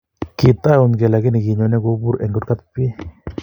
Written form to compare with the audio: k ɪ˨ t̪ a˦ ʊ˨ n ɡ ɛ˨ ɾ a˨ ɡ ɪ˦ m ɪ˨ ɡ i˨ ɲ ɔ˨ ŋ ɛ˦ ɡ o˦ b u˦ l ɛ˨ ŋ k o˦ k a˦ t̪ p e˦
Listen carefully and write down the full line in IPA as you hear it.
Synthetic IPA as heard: k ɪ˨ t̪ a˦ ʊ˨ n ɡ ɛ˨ l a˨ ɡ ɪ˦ n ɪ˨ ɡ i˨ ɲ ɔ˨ n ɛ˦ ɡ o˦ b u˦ ɾ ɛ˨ ŋ ɡ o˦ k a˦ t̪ p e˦

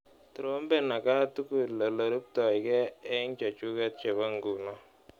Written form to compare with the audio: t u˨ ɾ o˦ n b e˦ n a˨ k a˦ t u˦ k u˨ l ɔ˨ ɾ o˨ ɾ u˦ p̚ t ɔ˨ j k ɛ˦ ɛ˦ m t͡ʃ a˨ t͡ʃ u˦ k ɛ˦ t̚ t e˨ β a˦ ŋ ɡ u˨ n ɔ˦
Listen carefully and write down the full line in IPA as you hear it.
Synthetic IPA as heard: t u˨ ɾ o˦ m b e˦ n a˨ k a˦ t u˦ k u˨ l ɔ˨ l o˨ ɾ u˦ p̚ t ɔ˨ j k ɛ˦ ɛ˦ ŋ t͡ʃ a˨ t͡ʃ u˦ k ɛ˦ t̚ t͡ʃ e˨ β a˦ ŋ ɡ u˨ n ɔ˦

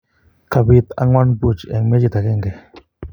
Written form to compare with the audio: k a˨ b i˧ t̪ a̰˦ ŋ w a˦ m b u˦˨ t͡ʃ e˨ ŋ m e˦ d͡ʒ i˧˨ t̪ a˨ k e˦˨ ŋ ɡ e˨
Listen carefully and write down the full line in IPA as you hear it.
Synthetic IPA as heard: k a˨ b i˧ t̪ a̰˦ ŋ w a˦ n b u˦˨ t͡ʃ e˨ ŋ m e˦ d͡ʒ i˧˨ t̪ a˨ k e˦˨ ŋ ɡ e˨

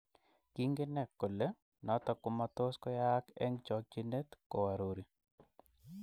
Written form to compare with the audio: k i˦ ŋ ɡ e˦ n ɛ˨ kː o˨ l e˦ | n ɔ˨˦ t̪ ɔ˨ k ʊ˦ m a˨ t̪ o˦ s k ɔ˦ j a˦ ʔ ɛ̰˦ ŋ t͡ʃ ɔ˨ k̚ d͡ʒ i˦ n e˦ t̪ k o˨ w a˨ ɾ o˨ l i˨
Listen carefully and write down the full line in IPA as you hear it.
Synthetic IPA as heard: k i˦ ŋ ɡ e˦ n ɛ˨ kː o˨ l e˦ | n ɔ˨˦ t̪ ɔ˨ k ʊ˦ m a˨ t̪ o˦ s k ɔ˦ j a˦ k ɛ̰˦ ŋ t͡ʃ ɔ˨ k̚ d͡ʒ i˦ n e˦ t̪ k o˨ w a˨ ɾ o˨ ɾ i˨

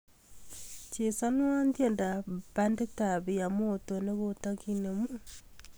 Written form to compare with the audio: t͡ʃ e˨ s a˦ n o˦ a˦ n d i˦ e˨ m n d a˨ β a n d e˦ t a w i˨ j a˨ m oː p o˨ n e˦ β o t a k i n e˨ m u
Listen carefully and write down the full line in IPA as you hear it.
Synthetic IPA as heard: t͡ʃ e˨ s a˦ n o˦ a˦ n d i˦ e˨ n d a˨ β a n d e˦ t a β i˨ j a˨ m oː t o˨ n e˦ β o t a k i n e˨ m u

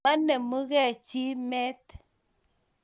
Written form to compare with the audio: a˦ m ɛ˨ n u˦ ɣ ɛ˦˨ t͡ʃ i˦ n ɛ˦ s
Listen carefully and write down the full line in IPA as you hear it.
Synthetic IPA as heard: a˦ n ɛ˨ m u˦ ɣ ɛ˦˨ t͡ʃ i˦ m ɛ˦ t

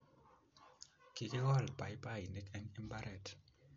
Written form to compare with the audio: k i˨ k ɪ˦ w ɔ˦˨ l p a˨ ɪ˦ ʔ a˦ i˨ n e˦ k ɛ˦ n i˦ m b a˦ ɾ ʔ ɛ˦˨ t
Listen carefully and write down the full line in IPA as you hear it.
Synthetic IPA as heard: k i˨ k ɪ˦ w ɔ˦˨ l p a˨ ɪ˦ p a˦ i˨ n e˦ k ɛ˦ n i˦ m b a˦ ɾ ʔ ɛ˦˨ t

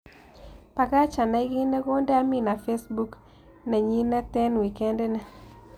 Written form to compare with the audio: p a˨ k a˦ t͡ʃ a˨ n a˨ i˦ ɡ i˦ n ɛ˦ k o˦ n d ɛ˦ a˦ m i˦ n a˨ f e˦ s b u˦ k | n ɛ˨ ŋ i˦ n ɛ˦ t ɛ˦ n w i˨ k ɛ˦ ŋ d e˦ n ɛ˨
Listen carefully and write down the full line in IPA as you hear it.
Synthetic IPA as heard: p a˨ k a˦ t͡ʃ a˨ n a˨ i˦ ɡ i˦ n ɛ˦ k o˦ n d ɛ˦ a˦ m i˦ n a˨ f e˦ s b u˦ k | n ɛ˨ ɲ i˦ n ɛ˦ t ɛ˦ n w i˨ k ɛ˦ n d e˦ n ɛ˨

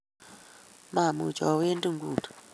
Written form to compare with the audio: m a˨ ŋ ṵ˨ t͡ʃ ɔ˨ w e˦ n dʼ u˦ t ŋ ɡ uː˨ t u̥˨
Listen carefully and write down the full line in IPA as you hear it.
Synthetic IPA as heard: m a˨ m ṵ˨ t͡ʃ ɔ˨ w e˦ n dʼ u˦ ŋ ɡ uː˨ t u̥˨

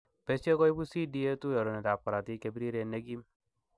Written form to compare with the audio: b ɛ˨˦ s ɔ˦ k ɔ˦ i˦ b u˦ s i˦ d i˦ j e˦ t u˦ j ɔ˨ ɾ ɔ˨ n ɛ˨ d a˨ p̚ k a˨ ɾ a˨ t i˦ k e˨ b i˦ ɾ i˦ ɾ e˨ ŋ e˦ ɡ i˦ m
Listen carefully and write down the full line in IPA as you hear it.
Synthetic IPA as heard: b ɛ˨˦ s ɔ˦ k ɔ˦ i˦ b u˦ s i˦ d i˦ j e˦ t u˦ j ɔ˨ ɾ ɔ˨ n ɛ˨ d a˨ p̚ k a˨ ɾ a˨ t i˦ k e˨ b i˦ ɾ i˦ ɾ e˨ n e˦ ɡ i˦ m

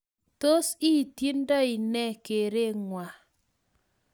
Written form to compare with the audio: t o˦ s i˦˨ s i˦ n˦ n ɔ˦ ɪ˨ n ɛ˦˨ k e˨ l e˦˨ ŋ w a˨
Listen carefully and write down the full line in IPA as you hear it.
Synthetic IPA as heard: t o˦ s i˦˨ t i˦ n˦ d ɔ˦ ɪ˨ n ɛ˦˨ k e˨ ɾ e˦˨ ŋ w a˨

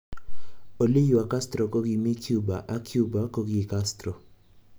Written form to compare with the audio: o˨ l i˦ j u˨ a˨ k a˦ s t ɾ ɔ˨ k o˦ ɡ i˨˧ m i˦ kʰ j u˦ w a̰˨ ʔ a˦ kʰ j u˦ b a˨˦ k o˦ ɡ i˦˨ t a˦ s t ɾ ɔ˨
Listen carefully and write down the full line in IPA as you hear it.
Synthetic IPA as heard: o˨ l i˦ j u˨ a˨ k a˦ s t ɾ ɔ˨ k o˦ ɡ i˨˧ m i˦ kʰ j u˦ b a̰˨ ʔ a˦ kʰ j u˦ b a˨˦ k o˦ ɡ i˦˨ k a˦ s t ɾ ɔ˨

